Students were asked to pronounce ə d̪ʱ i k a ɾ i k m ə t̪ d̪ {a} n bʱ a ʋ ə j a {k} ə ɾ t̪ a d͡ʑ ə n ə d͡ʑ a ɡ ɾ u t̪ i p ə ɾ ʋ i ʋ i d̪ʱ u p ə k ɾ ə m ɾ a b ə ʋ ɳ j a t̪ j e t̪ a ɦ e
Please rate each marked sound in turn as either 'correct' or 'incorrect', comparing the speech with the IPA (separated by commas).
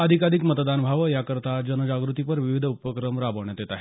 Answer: correct, correct